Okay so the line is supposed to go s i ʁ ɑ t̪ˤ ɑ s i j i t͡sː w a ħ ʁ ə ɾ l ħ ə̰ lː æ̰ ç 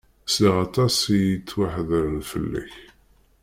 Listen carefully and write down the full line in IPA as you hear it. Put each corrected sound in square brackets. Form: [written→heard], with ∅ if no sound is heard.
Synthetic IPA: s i ʁ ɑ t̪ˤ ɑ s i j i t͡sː w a ħ [ʁ→ð] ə ɾ l [ħ→f] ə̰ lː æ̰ ç